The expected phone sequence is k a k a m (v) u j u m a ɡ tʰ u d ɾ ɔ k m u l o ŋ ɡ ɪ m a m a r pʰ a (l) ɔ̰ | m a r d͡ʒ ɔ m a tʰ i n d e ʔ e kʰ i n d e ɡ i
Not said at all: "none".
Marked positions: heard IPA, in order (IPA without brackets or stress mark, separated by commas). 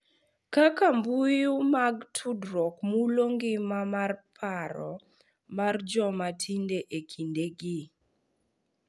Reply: b, ɾ